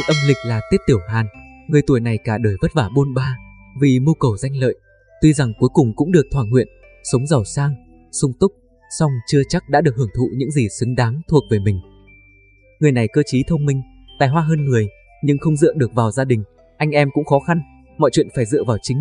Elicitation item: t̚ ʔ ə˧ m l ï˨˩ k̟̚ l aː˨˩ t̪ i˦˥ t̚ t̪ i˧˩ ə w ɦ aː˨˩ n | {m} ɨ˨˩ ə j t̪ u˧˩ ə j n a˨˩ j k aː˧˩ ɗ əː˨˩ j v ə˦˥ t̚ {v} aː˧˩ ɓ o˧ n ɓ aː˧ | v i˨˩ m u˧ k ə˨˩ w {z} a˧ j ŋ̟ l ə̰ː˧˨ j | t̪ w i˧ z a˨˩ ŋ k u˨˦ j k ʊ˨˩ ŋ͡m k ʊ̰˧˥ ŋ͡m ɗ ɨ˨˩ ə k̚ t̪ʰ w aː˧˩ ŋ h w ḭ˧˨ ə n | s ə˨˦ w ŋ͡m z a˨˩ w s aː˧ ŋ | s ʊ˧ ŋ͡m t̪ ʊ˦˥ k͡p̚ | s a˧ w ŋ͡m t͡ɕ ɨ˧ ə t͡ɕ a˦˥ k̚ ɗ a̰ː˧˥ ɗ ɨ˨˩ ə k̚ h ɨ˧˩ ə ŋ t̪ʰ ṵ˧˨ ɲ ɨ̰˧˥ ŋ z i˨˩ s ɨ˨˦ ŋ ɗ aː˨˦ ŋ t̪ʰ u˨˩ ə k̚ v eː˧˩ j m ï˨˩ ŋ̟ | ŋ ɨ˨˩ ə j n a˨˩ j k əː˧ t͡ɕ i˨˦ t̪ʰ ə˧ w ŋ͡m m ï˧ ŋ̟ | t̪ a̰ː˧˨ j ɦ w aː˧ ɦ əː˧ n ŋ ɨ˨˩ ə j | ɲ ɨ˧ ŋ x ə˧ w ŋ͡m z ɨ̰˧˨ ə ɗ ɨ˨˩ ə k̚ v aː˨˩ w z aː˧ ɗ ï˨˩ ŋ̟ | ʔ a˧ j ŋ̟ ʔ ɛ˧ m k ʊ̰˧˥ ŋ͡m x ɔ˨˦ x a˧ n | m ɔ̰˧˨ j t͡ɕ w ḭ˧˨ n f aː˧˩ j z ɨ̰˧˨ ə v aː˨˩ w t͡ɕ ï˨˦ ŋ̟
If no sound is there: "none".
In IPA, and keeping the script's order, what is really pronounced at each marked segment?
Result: ŋ, v, z

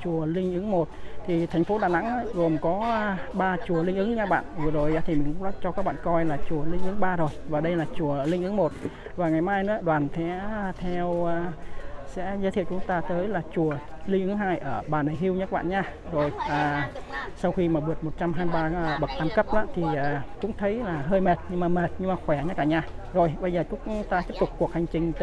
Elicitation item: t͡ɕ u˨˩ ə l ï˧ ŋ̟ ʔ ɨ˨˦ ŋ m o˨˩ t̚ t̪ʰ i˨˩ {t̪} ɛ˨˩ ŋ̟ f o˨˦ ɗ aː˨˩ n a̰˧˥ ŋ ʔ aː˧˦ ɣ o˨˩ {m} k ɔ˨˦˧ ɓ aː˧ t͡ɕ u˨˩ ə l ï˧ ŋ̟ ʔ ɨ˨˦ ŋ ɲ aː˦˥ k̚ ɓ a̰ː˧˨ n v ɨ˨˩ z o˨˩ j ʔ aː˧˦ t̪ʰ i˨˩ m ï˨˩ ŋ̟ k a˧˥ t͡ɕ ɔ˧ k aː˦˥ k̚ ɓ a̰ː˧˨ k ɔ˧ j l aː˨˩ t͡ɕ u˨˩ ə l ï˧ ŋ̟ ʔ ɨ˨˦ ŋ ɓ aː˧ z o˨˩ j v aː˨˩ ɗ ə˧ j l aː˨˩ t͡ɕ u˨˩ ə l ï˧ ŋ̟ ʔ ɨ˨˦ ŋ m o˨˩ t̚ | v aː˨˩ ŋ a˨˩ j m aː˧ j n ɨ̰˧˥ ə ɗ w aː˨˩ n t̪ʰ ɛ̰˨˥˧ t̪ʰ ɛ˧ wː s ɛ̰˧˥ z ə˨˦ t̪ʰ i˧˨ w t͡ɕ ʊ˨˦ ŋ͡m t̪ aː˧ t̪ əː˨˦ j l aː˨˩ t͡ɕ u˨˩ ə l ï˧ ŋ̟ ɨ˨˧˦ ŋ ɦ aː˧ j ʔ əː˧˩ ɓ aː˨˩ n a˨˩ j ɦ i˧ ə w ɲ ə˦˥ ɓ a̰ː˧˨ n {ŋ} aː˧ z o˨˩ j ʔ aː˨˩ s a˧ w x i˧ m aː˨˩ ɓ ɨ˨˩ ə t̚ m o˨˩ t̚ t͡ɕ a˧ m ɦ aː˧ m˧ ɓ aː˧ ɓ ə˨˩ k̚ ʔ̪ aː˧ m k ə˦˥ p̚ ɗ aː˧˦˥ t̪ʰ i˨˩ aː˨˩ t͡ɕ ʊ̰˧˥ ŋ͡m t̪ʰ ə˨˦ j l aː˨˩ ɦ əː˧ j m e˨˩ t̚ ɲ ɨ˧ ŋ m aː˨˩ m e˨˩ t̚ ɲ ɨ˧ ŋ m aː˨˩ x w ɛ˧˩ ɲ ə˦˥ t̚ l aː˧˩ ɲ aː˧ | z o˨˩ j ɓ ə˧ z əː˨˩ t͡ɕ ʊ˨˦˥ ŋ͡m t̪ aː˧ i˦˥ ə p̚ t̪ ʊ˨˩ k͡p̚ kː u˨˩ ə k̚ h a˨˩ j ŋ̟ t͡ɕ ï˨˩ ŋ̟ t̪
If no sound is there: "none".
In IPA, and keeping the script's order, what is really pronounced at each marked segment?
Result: t̪ʰ, m, ɲ

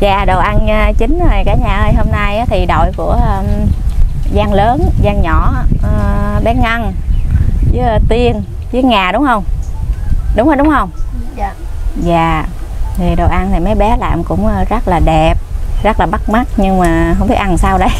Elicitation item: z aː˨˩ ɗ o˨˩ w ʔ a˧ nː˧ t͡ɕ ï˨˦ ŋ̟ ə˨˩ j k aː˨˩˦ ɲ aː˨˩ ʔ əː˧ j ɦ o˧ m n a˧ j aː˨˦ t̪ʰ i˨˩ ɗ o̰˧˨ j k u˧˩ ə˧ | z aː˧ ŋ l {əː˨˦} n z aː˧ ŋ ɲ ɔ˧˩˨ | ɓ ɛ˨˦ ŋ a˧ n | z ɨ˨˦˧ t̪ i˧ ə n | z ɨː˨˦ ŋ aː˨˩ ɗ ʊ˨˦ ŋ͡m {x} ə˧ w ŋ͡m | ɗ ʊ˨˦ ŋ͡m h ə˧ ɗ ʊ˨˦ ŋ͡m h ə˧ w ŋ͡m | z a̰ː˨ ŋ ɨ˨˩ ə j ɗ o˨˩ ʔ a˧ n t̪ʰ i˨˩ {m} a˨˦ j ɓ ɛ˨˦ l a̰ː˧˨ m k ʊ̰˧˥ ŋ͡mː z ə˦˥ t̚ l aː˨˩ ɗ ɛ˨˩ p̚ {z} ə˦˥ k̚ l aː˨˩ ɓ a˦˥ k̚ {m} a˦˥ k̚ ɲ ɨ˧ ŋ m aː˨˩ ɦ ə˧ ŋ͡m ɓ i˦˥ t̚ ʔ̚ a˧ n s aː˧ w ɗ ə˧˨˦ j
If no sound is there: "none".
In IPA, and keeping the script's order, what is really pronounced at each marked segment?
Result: əː˨˦, h, m, z, m

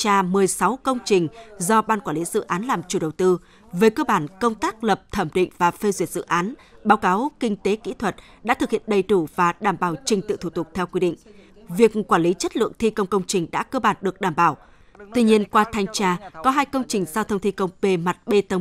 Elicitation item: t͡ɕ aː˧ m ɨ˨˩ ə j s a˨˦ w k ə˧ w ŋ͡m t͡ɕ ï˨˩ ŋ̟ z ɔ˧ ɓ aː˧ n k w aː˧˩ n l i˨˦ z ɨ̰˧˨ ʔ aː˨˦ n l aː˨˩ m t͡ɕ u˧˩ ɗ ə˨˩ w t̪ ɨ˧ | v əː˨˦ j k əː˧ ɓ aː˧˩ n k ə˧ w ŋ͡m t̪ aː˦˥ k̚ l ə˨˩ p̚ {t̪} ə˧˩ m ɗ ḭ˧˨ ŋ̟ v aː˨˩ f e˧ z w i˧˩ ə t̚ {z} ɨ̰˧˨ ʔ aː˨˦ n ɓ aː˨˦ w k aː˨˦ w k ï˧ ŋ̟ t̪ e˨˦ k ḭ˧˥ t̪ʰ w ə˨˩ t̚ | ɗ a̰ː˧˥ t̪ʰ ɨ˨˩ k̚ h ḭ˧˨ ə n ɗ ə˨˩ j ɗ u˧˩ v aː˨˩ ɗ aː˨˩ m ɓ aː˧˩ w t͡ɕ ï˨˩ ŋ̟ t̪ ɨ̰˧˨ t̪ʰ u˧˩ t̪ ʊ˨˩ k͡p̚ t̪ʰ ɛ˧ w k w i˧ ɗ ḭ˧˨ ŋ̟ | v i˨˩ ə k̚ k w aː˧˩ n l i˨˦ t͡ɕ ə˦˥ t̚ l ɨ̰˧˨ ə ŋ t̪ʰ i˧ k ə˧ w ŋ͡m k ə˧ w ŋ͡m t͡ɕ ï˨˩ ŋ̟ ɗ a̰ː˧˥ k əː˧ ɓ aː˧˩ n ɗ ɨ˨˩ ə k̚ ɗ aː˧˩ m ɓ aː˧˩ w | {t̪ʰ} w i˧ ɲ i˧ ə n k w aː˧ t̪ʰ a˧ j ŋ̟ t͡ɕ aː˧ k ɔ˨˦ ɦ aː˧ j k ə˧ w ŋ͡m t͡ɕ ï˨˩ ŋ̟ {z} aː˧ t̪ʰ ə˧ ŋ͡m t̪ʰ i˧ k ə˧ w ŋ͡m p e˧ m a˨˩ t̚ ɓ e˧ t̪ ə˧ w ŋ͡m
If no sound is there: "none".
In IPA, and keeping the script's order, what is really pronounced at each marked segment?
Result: t̪ʰ, z, t̪, z

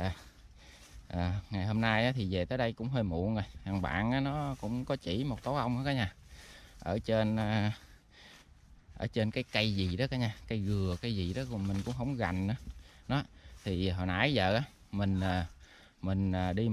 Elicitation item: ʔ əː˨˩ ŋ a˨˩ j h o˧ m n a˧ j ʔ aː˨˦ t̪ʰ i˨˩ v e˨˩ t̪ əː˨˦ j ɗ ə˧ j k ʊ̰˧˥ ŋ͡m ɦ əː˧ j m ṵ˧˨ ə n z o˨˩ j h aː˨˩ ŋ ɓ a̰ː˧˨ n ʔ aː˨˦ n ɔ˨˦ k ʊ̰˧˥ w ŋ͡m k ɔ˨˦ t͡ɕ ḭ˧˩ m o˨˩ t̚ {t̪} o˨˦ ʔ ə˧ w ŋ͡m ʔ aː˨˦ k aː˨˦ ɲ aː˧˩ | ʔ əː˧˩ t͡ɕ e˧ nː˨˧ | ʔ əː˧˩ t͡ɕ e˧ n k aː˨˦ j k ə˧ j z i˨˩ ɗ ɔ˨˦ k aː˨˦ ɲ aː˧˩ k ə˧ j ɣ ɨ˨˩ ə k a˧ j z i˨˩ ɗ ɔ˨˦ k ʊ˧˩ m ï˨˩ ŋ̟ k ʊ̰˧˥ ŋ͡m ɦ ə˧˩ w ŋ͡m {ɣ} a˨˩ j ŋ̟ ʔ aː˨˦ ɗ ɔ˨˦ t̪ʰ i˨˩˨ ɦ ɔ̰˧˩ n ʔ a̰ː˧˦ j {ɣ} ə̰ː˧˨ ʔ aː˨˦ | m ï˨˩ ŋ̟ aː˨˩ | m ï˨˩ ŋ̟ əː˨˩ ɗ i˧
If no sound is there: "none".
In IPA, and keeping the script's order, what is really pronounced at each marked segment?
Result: t̪, ɣ, z

